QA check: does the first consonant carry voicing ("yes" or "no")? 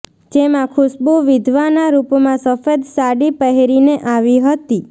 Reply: yes